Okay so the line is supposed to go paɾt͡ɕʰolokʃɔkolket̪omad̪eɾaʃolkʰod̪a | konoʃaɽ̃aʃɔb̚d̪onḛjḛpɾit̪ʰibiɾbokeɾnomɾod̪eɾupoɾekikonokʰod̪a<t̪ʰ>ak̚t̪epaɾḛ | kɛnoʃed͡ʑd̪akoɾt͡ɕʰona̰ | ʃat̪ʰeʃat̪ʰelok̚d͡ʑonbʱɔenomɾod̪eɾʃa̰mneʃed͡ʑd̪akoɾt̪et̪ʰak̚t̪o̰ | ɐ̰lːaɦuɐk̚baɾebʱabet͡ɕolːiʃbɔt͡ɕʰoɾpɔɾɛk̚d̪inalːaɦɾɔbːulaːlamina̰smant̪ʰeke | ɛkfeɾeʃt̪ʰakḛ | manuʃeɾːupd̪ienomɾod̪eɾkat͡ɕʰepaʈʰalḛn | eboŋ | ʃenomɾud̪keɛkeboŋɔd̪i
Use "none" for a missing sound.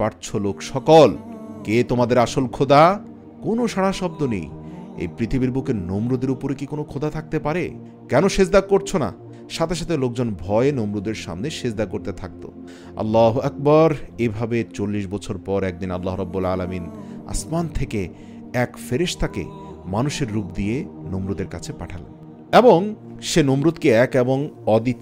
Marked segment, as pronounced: t̪ʰ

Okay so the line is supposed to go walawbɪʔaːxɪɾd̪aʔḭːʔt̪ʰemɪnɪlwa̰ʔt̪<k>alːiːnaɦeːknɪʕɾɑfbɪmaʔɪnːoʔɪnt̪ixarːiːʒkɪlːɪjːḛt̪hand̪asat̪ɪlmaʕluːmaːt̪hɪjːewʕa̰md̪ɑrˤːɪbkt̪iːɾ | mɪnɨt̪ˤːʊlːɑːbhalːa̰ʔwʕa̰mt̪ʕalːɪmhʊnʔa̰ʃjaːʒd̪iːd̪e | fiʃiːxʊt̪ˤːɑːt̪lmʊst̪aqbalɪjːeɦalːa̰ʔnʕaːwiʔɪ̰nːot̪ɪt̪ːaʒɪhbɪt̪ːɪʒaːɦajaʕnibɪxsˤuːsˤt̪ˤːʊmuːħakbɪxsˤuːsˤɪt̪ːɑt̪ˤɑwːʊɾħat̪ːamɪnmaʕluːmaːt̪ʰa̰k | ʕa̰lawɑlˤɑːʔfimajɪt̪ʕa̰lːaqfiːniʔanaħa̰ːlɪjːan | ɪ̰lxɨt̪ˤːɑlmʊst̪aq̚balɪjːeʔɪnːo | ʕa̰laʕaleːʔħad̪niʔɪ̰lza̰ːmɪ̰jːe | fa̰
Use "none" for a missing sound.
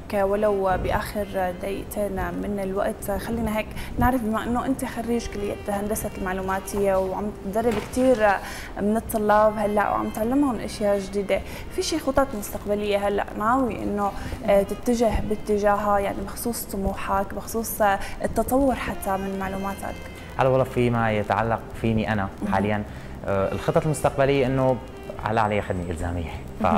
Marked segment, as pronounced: x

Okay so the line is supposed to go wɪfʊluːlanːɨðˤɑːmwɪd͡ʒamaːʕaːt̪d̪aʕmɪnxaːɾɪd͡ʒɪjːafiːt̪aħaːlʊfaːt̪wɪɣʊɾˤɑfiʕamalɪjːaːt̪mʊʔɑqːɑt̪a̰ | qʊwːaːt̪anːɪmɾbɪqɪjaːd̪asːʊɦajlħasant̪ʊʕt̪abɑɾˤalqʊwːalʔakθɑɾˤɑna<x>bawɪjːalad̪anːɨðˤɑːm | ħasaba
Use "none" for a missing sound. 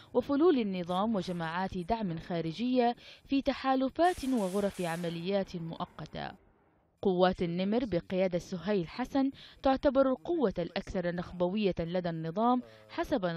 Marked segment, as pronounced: x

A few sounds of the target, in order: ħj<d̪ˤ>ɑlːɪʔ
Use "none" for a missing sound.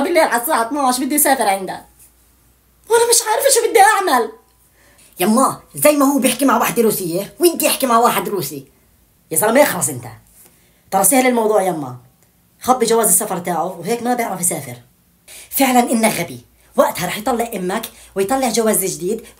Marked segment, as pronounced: t̪ˤ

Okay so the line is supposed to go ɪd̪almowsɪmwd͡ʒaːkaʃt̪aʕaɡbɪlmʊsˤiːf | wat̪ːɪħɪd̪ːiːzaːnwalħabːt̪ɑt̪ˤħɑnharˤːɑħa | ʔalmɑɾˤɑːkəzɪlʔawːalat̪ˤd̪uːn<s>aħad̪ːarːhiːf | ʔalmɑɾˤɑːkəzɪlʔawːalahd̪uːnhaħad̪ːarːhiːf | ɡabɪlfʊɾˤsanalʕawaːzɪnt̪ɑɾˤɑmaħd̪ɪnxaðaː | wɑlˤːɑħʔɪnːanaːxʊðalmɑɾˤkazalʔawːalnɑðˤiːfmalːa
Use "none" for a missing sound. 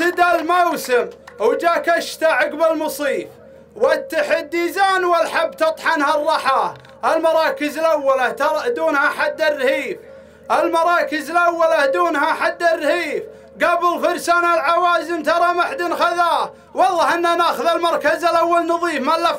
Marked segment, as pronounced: h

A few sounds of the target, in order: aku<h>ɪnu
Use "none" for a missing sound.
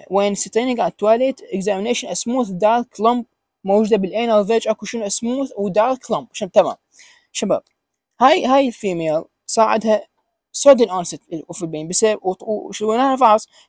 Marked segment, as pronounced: ʃ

